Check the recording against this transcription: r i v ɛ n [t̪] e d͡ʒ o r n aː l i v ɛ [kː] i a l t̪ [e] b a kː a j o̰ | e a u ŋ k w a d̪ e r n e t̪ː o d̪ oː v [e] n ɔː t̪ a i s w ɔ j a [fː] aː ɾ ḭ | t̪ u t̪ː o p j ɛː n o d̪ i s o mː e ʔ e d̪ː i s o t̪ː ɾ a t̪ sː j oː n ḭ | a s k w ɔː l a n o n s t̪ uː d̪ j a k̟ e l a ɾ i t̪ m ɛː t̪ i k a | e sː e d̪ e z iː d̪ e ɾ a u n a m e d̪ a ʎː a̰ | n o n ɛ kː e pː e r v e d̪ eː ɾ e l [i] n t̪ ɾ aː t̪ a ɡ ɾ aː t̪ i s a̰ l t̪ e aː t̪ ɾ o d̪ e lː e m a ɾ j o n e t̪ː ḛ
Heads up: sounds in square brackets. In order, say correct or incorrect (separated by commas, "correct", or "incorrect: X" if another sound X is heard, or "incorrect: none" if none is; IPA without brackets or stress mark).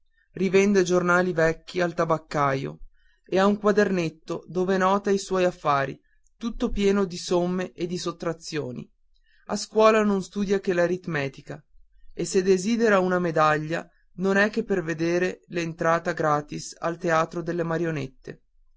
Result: incorrect: d̪, correct, incorrect: a, correct, correct, incorrect: e